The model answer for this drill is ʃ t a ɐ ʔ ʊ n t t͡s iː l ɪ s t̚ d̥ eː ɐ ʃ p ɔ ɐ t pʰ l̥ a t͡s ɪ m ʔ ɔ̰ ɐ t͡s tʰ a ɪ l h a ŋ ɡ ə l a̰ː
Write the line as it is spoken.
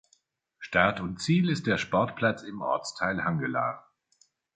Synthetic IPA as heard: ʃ t a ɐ t ʊ n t t͡s iː l ɪ s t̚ d̥ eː ɐ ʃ p ɔ ɐ t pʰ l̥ a t͡s ɪ m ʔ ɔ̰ ɐ t͡s tʰ a ɪ l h a ŋ ɡ ə l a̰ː

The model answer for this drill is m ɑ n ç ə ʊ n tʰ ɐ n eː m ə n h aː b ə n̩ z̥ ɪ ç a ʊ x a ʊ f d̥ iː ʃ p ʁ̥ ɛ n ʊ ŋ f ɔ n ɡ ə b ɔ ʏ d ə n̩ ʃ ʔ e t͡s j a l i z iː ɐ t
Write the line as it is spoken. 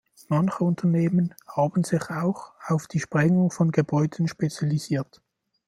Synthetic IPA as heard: m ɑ n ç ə ʊ n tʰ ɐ n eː m ə n h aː b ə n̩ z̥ ɪ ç a ʊ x a ʊ f d̥ iː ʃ p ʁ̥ ɛ ŋ ʊ ŋ f ɔ n ɡ ə b ɔ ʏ d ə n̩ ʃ p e t͡s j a l i z iː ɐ t

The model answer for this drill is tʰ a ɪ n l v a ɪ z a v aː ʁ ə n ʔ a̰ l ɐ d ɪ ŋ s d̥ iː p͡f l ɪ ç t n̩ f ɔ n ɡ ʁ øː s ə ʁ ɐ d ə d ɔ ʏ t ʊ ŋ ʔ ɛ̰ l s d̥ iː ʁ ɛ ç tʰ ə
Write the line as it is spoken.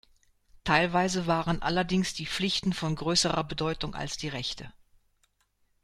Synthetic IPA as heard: tʰ a ɪ l v a ɪ z ə v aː ʁ ə n ʔ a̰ l ɐ d ɪ ŋ s d̥ iː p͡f l ɪ ç t n̩ f ɔ n ɡ ʁ øː s ə ʁ ɐ b ə d ɔ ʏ t ʊ ŋ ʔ a̰ l s d̥ iː ʁ ɛ ç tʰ ə

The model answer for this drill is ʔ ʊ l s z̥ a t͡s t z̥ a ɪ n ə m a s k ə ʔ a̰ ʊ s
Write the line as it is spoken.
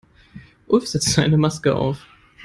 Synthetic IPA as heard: ʔ ʊ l f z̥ ɛ t͡s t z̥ a ɪ n ə m a s k ə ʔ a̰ ʊ f

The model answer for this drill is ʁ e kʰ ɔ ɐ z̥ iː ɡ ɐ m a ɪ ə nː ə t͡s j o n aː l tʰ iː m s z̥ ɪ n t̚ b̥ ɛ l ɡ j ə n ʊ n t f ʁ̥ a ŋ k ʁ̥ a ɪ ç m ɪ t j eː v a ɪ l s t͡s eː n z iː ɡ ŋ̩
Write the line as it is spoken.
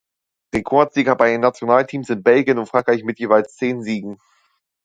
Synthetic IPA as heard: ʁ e kʰ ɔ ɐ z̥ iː ɡ ɐ b a ɪ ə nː a t͡s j o n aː l tʰ iː m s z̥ ɪ n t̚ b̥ ɛ l ɡ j ə n ʊ n t f ʁ̥ a ŋ k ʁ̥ a ɪ ç m ɪ t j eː v a ɪ l s t͡s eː n z iː ɡ ŋ̩

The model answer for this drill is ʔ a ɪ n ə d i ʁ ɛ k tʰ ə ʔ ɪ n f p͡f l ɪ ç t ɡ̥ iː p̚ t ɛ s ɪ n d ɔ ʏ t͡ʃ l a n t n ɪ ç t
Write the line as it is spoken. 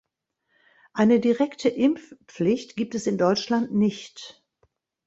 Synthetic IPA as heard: ʔ a ɪ n ə d i ʁ ɛ k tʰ ə ʔ ɪ m f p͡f l ɪ ç t ɡ̥ iː p̚ t ɛ s ɪ n d ɔ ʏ t͡ʃ l a n t n ɪ ç t

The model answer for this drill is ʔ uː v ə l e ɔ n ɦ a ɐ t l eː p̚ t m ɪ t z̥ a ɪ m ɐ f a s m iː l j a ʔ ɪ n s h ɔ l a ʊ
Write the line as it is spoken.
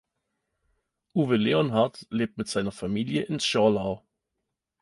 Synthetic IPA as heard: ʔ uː v ə l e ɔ n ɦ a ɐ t l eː p̚ t m ɪ t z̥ a ɪ n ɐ f a m iː l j ə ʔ ɪ n s ʃ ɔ l a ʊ

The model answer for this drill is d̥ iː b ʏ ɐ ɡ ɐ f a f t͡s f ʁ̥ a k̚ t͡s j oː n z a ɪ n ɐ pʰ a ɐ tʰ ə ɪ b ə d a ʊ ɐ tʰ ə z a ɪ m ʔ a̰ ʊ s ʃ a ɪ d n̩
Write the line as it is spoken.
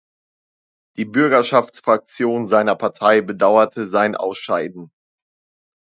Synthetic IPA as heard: d̥ iː b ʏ ɐ ɡ ɐ ʃ a f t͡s f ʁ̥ a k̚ t͡s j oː n z a ɪ n ɐ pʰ a ɐ tʰ a ɪ b ə d a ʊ ɐ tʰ ə z a ɪ n ʔ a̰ ʊ s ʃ a ɪ d n̩

